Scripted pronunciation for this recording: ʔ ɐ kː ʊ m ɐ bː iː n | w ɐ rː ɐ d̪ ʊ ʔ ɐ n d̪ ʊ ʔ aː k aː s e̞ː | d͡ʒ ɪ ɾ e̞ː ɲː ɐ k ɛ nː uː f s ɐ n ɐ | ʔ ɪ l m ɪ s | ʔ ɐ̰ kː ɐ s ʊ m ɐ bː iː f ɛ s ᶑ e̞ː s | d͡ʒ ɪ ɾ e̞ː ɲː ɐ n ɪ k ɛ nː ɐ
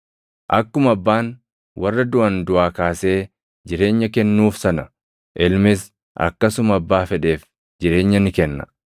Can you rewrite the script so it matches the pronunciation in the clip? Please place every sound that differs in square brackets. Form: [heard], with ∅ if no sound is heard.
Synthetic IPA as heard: ʔ ɐ kː ʊ m ɐ bː [aː] n | w ɐ rː ɐ d̪ ʊ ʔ ɐ n d̪ ʊ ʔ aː k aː s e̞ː | d͡ʒ ɪ ɾ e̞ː ɲː ɐ k ɛ nː uː f s ɐ n ɐ | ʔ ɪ l m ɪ s | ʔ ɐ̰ kː ɐ s ʊ m ɐ bː [aː] f ɛ [∅] ᶑ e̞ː [f] | d͡ʒ ɪ ɾ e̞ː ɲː ɐ n ɪ k ɛ nː ɐ